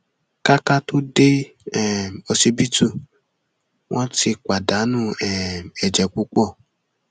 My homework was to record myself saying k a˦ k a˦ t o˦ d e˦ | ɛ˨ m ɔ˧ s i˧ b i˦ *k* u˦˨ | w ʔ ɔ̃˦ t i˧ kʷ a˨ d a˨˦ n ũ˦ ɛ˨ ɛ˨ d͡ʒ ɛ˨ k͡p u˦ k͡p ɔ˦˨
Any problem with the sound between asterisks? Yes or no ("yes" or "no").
yes